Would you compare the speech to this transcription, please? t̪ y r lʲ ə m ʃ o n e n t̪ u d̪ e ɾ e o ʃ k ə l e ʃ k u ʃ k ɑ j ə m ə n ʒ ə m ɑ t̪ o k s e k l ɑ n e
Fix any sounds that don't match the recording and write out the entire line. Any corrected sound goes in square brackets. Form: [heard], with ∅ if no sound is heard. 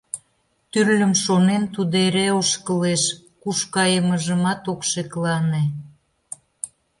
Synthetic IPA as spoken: t̪ y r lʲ ə m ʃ o n e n t̪ u d̪ e ɾ e o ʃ k ə l e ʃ k u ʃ k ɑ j ə m ə [∅] ʒ ə m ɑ t̪ o k [ʃ] e k l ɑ n e